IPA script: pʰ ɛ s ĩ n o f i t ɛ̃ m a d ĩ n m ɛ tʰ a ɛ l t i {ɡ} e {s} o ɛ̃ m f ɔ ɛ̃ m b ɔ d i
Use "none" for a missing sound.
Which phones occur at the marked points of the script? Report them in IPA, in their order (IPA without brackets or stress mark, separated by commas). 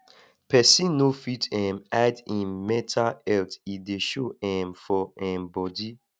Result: d, ʃ